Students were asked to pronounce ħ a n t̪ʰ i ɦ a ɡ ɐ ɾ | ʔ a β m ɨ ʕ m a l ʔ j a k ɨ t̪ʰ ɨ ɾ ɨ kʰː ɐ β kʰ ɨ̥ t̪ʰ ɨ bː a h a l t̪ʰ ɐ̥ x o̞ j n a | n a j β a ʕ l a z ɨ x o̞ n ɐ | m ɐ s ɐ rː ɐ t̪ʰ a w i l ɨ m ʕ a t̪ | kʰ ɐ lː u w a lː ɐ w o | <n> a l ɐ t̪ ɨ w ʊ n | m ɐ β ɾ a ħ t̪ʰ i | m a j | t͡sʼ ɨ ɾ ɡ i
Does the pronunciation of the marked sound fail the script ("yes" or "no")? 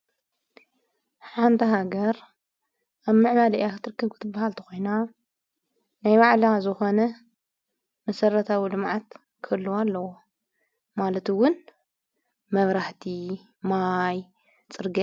yes